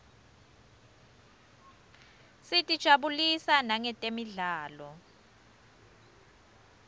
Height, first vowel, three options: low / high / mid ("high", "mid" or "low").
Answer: high